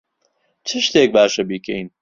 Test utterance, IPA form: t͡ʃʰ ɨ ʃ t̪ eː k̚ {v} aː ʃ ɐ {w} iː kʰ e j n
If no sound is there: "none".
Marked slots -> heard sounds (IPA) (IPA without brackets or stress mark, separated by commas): b, b